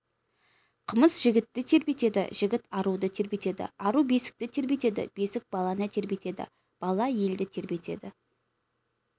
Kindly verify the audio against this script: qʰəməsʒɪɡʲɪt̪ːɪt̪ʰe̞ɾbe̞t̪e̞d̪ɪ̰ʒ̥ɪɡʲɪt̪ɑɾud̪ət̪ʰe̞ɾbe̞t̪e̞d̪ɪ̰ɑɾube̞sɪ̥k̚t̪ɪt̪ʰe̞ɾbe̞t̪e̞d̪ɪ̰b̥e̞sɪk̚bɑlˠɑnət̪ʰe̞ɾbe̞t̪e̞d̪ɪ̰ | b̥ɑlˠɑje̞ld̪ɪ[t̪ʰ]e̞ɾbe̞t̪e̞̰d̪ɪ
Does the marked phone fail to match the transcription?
no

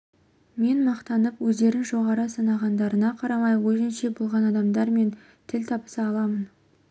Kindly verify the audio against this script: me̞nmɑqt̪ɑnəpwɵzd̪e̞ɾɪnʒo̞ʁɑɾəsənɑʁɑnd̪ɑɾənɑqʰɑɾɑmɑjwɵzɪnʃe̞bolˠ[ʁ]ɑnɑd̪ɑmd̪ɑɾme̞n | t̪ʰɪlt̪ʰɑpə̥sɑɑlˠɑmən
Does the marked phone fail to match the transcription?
no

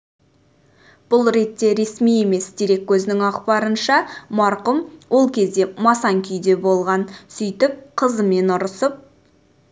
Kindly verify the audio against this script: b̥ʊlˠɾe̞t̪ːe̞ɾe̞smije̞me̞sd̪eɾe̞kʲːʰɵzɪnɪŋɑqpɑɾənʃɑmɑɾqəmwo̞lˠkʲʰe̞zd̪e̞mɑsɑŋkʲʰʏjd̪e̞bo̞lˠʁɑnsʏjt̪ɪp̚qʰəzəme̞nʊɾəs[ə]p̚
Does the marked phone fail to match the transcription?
no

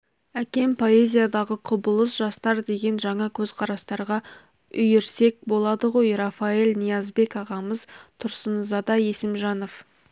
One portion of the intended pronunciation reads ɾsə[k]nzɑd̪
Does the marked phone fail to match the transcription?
yes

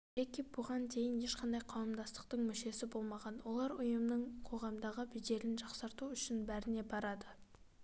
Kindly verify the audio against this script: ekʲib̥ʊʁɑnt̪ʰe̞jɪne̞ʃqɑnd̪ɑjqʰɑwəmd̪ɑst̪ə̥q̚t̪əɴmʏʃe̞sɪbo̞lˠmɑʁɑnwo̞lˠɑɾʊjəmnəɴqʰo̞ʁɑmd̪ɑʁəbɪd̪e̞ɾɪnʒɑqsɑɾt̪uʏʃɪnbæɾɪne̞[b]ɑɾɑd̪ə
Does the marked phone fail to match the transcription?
no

